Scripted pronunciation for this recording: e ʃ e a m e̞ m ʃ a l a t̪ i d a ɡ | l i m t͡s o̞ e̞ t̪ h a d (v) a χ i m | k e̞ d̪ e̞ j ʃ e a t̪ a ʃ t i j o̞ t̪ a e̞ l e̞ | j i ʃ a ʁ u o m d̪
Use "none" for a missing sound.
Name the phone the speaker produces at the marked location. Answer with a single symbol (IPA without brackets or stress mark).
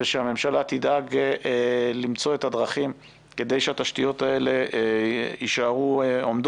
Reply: ʁ